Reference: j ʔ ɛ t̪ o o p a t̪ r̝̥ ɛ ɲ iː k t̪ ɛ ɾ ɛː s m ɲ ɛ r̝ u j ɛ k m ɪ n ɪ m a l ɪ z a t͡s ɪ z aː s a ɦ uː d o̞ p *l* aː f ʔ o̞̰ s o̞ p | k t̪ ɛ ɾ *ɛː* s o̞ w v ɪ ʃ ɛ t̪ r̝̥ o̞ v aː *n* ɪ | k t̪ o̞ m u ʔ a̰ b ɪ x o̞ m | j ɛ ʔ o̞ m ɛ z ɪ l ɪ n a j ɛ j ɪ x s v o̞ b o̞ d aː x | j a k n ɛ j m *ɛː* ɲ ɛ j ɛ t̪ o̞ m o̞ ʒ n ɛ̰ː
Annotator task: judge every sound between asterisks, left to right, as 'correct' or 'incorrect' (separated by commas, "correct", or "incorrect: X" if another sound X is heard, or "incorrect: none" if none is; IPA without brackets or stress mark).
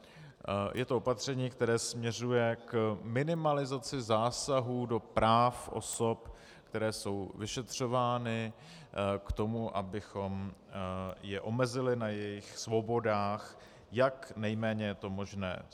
incorrect: ɾ, correct, correct, correct